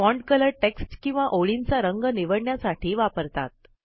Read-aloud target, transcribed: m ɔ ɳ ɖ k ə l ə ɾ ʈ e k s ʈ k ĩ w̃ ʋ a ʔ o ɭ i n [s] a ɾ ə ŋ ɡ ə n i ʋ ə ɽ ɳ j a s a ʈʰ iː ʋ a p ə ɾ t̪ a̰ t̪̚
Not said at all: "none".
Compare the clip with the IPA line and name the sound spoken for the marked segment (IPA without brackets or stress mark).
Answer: t͡s